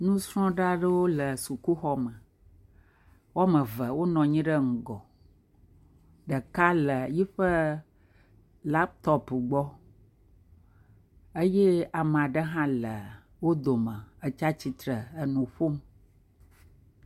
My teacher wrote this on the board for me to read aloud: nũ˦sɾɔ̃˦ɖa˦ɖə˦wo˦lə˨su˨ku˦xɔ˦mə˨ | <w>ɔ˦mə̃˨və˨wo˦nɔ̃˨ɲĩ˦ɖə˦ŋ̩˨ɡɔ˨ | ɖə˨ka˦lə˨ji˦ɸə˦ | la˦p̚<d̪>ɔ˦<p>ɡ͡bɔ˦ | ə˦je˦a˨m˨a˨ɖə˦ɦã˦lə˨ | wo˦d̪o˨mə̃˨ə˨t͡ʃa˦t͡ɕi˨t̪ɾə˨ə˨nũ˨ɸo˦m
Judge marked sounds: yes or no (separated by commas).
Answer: yes, no, yes